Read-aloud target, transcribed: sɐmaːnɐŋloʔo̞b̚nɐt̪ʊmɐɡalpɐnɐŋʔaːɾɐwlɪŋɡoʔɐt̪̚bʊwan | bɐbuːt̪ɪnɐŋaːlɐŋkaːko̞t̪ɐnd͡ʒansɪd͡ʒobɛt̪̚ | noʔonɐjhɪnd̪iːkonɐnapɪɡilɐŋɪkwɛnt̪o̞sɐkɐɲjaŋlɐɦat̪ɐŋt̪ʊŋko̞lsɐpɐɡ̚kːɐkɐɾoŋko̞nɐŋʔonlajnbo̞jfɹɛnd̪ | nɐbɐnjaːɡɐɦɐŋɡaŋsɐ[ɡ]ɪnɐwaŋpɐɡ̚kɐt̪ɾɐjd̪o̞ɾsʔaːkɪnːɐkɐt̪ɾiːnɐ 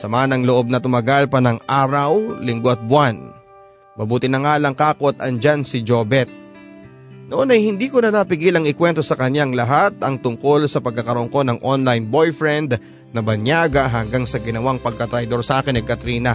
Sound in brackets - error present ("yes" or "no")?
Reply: no